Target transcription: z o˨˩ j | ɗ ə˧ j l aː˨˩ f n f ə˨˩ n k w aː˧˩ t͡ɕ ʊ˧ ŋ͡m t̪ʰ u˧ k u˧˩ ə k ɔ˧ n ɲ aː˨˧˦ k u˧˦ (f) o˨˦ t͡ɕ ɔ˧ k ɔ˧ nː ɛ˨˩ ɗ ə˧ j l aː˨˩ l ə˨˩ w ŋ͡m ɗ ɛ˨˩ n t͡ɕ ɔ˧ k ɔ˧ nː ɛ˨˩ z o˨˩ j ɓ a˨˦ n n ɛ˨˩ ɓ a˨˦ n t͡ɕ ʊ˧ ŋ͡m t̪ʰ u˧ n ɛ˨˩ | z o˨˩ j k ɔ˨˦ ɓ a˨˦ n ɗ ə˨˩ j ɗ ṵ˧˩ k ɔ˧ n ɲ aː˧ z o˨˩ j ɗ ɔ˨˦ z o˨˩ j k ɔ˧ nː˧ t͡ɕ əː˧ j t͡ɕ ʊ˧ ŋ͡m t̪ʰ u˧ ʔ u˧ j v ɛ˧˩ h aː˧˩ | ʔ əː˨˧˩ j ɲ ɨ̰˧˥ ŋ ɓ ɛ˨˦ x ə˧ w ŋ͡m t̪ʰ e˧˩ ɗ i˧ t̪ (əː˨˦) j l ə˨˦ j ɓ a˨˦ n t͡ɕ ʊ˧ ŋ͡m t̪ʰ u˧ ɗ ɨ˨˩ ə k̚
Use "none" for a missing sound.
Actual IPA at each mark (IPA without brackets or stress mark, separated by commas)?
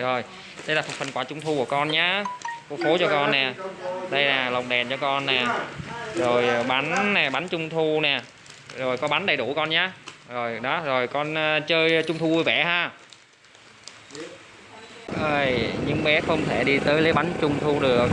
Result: f, əː˨˦